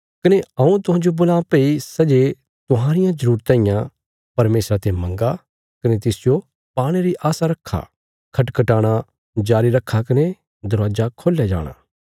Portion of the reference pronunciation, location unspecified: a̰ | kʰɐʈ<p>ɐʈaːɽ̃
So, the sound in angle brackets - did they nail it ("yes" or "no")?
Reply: no